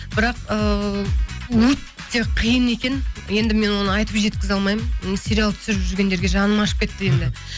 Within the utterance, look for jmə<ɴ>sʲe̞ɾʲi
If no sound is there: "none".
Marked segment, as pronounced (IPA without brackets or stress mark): n